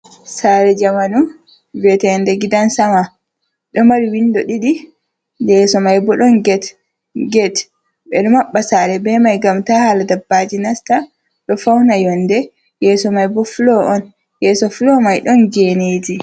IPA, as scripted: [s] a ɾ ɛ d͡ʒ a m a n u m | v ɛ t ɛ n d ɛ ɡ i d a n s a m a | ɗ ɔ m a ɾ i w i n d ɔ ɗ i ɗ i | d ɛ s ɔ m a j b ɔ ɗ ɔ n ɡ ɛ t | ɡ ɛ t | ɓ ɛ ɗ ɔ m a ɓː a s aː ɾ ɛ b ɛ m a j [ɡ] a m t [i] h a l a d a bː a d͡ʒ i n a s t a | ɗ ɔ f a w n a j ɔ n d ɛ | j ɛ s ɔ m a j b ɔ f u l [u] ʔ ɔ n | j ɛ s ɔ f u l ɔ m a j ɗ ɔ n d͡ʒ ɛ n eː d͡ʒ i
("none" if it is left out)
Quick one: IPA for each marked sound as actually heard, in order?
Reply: s, ɡ, a, ɔ

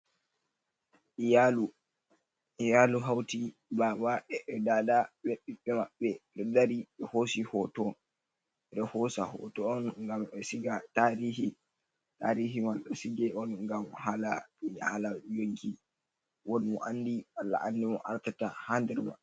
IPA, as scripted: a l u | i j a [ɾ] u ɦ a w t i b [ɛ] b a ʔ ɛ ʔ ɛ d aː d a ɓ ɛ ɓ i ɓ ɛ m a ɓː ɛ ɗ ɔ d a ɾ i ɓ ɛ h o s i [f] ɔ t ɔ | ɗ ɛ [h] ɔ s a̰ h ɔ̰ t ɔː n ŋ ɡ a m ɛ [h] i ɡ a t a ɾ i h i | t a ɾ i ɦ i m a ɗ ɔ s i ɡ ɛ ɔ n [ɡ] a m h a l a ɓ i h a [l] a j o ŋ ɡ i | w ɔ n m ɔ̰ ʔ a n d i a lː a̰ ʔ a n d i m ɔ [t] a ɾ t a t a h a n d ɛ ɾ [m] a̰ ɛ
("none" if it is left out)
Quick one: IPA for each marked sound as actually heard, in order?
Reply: l, a, h, h, s, ɡ, l, ʔ, m

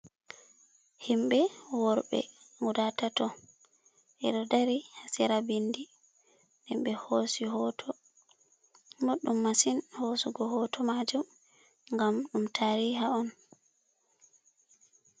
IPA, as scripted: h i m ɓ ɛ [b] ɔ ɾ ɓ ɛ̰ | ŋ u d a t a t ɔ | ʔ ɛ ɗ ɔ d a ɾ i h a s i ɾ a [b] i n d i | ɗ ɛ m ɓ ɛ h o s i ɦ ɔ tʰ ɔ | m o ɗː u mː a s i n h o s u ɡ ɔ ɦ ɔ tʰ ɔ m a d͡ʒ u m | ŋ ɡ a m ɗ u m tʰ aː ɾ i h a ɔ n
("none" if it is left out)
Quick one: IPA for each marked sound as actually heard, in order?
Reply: w, b

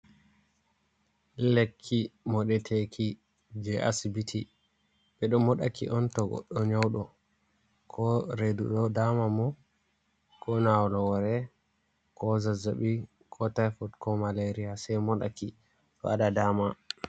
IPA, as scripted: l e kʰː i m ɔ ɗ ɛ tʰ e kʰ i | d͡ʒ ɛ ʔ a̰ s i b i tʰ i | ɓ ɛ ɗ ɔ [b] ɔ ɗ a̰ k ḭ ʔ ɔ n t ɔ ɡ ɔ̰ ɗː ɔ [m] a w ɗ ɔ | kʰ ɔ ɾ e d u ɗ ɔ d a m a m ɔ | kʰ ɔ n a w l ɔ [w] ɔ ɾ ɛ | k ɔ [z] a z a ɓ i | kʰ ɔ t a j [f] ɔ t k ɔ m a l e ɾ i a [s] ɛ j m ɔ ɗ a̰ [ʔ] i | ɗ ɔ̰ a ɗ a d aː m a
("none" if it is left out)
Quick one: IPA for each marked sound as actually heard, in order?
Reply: m, ɲ, w, z, f, s, k

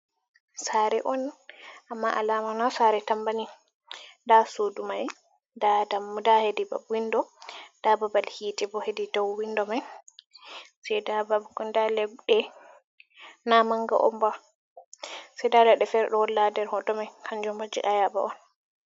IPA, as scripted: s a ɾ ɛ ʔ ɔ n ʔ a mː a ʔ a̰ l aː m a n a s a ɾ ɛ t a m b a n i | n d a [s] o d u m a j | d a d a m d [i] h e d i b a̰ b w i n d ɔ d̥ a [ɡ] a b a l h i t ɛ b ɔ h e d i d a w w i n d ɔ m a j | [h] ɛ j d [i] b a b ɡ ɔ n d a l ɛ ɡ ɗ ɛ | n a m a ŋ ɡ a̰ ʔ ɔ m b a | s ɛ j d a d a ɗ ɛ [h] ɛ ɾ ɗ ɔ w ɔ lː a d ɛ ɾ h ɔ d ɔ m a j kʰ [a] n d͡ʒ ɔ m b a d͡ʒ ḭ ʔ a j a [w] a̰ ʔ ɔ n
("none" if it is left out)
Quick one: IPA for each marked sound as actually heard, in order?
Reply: s, a, b, s, a, f, a, b

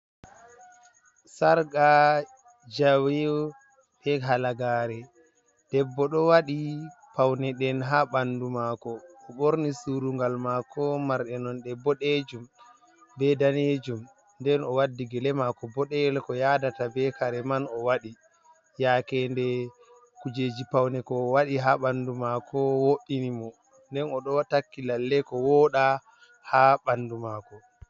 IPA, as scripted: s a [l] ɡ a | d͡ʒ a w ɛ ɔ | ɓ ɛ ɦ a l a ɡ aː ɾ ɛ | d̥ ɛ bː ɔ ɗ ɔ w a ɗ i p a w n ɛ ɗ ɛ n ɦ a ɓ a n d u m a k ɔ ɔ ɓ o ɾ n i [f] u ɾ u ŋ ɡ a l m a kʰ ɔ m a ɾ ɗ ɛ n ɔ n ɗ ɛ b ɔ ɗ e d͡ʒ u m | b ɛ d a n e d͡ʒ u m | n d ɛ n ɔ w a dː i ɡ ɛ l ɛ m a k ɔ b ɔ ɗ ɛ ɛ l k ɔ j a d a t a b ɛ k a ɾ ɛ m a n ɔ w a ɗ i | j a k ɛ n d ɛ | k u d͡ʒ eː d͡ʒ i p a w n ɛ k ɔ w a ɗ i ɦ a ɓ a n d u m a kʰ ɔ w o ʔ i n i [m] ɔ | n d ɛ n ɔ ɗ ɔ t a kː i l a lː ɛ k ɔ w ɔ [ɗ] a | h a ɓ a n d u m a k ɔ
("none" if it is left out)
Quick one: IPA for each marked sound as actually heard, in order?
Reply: ɾ, s, m, ɗ

